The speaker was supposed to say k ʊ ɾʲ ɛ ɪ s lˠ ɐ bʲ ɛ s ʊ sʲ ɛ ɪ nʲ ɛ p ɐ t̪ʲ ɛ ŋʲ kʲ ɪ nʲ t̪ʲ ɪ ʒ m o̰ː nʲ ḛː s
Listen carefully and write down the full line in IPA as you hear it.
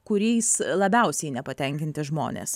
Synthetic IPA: k ʊ ɾʲ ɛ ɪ s lˠ ɐ bʲ ɛ ʊ sʲ ɛ ɪ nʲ ɛ p ɐ t̪ʲ ɛ ŋʲ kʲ ɪ nʲ t̪ʲ ɪ ʒ m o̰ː nʲ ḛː s